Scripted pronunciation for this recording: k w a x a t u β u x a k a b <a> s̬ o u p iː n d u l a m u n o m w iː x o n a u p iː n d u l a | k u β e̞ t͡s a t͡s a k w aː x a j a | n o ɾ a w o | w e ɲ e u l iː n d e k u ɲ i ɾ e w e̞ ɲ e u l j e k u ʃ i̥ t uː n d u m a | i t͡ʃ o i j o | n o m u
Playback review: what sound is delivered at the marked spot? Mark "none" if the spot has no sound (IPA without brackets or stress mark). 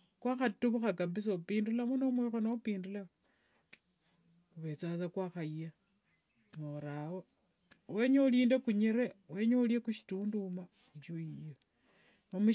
i